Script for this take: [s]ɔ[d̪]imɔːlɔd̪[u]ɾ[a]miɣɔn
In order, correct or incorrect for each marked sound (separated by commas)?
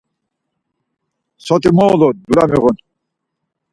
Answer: correct, incorrect, correct, correct